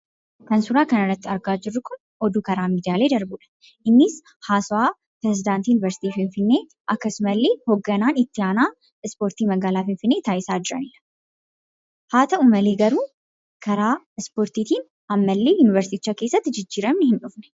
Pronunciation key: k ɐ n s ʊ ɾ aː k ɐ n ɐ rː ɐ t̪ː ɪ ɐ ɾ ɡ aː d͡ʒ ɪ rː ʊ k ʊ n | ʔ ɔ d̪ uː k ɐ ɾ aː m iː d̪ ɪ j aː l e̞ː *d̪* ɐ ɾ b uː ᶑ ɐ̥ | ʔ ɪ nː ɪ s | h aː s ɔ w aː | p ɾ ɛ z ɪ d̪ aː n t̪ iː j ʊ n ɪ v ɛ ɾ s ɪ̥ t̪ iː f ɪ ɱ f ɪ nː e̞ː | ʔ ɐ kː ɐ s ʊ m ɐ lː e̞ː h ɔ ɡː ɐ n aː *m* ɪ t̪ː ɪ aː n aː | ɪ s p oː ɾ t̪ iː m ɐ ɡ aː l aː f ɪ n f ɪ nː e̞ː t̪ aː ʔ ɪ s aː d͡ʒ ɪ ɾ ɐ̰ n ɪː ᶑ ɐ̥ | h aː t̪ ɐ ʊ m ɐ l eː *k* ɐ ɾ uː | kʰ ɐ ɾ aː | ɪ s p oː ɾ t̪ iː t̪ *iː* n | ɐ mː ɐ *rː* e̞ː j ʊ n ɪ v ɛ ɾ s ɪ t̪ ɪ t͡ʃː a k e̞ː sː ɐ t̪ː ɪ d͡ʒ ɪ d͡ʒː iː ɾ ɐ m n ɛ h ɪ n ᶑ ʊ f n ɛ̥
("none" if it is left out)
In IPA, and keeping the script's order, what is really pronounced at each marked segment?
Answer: d̪, n, ɡ, iː, lː

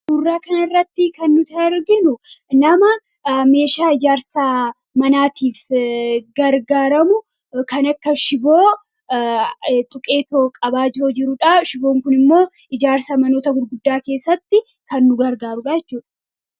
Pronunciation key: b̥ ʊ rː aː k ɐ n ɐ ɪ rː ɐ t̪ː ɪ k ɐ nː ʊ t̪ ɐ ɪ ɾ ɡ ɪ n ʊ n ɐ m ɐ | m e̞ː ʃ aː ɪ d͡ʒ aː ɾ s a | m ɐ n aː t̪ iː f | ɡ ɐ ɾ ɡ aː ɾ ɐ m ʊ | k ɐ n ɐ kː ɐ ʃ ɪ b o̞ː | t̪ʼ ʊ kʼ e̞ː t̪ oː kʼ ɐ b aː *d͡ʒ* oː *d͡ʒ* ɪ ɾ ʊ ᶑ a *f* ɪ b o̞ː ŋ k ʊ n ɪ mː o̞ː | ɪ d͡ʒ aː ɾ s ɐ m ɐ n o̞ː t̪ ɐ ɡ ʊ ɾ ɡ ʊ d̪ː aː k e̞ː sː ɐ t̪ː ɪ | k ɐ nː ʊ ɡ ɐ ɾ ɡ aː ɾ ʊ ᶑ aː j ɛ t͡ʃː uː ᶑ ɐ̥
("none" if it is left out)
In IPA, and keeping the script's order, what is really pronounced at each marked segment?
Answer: d͡ʒ, d͡ʒ, ʃ

